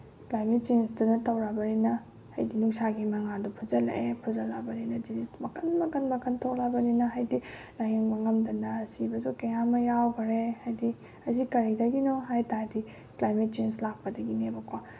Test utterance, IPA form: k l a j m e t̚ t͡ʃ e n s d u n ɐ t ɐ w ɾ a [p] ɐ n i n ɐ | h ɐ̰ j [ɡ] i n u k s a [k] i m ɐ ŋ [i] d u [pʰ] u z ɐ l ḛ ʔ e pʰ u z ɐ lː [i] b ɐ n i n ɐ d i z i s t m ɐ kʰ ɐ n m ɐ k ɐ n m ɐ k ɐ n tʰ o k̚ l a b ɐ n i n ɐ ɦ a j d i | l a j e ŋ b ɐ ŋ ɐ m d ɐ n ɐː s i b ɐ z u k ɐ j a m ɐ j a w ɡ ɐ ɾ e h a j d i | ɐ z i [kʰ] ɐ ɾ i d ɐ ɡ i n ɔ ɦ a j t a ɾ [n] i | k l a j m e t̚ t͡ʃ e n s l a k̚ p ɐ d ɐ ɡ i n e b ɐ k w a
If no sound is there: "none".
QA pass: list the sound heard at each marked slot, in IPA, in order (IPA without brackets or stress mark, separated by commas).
b, d, ɡ, a, pʰ, a, k, d